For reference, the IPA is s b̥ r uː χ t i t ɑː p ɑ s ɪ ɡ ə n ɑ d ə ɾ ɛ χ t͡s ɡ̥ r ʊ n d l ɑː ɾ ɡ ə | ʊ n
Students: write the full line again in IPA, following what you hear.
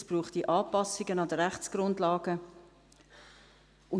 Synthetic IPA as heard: s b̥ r uː χ t i ʔ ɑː p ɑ s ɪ ɡ ə n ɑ d ə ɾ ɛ χ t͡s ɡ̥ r ʊ n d l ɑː ɡ ə | ʊ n